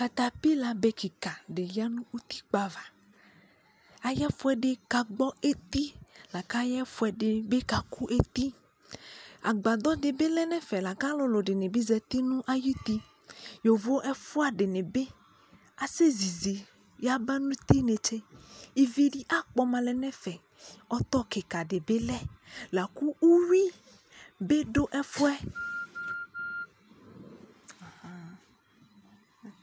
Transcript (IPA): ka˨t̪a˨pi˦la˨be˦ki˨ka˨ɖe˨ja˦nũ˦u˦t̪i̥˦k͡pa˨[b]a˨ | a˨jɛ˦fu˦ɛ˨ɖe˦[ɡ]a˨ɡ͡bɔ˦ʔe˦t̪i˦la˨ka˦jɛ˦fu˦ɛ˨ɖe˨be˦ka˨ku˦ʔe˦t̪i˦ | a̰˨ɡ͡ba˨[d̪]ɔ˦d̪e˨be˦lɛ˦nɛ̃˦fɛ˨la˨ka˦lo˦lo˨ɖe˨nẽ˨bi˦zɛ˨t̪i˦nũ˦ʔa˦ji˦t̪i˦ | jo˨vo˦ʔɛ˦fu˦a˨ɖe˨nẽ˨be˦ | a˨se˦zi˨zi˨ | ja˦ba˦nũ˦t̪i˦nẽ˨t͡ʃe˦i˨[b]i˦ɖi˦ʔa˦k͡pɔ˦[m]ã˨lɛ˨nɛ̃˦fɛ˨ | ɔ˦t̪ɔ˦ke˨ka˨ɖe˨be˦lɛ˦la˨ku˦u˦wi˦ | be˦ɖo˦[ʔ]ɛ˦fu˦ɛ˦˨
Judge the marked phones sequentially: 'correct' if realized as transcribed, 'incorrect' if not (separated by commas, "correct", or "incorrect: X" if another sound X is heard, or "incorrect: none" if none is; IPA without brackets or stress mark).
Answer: incorrect: v, incorrect: k, correct, incorrect: v, correct, correct